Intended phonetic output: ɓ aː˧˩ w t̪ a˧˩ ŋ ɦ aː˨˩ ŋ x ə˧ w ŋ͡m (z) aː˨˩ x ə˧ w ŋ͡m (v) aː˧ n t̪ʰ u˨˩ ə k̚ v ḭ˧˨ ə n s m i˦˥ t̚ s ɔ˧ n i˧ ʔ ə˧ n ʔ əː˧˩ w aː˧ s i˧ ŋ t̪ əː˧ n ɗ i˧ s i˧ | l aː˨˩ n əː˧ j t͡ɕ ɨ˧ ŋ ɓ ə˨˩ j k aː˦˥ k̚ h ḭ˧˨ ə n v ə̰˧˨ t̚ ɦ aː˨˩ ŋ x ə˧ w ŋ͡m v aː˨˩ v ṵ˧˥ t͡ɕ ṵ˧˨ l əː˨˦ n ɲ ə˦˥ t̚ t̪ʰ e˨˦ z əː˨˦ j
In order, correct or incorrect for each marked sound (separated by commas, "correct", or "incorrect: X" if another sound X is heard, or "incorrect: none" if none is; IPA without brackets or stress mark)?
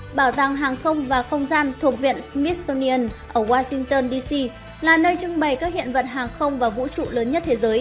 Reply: incorrect: v, incorrect: z